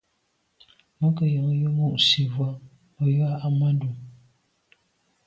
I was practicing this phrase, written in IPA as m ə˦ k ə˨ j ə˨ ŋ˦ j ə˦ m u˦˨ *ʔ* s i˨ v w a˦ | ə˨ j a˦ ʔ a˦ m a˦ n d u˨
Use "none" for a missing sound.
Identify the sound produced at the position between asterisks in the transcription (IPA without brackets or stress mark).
ʔ